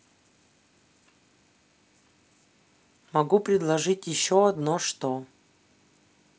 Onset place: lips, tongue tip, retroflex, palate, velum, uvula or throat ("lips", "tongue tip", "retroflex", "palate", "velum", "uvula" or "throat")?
lips